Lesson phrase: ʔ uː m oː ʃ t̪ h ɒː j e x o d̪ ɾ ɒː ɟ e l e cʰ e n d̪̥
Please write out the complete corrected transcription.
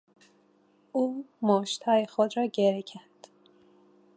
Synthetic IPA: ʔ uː m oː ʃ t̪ h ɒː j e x o d̪ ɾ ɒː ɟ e ɾ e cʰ æ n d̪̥